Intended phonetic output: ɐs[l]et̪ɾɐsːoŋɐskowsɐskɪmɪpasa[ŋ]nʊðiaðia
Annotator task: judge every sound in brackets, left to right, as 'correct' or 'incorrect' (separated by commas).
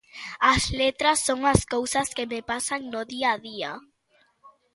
correct, correct